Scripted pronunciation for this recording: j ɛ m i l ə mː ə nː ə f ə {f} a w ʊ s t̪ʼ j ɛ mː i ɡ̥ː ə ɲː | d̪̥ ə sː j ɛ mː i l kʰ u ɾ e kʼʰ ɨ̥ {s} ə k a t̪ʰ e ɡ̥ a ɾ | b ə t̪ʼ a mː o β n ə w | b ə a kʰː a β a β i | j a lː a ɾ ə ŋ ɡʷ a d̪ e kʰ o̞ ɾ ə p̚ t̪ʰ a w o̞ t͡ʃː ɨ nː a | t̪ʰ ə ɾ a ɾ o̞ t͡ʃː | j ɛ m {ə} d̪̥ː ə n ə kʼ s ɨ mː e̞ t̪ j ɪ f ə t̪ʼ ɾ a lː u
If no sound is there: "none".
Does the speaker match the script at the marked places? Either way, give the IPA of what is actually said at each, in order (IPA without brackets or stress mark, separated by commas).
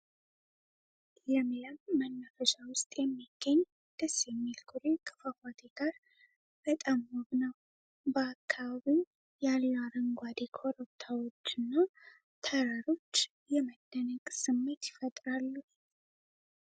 ʃ, f, ə